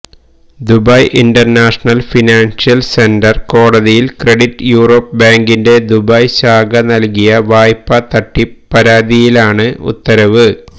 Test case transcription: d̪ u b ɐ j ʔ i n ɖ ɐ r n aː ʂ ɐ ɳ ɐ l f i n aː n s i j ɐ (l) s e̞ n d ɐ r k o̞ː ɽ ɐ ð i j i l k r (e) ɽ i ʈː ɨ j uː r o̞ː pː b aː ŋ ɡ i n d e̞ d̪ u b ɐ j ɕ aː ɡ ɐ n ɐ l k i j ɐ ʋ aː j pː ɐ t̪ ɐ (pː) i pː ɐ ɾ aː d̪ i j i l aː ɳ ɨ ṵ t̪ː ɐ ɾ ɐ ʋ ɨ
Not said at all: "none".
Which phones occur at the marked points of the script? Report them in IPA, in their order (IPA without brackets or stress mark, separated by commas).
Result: l, e, ʈː